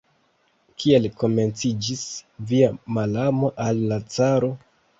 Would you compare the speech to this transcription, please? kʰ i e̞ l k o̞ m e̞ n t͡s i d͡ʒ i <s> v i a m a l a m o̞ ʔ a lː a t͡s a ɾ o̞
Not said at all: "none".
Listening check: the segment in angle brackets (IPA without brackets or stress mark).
s